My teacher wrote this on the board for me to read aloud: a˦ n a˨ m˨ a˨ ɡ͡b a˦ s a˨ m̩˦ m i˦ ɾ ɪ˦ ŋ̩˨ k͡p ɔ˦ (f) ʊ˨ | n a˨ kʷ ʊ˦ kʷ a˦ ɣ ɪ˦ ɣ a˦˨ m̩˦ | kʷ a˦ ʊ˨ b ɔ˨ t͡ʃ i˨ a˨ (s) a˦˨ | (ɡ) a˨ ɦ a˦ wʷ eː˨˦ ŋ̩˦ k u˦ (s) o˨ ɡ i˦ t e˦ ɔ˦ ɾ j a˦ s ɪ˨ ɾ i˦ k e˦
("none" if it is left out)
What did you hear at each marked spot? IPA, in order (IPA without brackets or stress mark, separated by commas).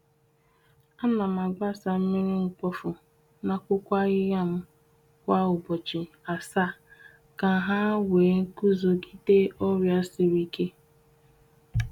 f, s, k, z